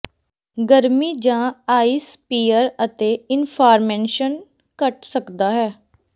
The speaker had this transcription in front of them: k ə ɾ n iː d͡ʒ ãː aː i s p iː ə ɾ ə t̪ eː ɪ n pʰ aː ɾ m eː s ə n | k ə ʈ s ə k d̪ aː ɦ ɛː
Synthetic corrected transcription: ɡ ə ɾ m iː d͡ʒ ãː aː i s p iː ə ɾ ə t̪ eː ɪ n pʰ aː ɾ m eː ʃ ə n | k ə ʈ s ə k d̪ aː ɦ ɛː